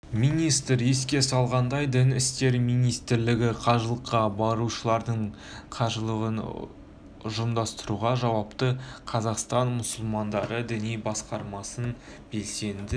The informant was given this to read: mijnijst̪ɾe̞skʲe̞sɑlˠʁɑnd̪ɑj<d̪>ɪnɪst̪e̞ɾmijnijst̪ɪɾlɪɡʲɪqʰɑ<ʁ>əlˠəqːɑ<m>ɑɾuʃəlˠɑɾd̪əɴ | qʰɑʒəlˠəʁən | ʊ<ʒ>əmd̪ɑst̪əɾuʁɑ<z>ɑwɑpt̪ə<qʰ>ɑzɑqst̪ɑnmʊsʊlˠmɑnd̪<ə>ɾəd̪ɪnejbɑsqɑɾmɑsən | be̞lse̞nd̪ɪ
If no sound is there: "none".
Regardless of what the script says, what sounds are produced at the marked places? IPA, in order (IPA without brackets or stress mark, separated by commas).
d̪, ʒ, b, ʒ, ʒ, qʰ, ɑ